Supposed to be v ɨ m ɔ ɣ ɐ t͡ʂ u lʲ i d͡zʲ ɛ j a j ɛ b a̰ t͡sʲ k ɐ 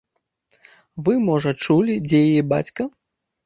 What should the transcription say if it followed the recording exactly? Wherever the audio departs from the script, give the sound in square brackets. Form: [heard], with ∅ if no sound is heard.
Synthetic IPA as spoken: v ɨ m ɔ [ʐ] ɐ t͡ʂ u lʲ i d͡zʲ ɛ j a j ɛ b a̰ t͡sʲ k ɐ